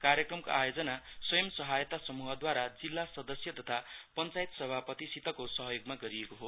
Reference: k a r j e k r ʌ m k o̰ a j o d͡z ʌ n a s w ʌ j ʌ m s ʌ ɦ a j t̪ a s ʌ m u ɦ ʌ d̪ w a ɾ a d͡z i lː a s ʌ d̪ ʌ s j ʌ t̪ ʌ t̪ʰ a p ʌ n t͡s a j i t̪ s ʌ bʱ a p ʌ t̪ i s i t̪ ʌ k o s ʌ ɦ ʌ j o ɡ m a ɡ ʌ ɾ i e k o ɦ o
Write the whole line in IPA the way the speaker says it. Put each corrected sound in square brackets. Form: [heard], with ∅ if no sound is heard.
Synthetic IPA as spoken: k a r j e k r ʌ m k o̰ a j o d͡z ʌ n a s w ʌ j ʌ m s ʌ ɦ a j t̪ a s ʌ m u ɦ ʌ d̪ w a ɾ a d͡z i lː a s ʌ d̪ ʌ s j ʌ t̪ ʌ t̪ʰ a p ʌ n t͡s a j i t̪ s ʌ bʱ a p ʌ t̪ i s i t̪ ʌ k o s ʌ ɦ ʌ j o ɡ m a ɡ ʌ ɾ i e k o ɦ o